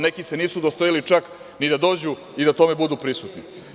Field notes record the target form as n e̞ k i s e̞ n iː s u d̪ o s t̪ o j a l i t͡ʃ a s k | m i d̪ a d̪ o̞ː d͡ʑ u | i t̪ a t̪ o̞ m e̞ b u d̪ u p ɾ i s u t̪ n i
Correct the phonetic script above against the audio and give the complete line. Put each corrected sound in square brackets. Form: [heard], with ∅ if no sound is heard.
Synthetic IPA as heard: n e̞ k i s e̞ n iː s u d̪ o s t̪ o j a l i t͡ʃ a [∅] k | [n] i d̪ a d̪ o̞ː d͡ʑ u | i [d̪] a t̪ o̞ m e̞ b u d̪ u p ɾ i s u t̪ n i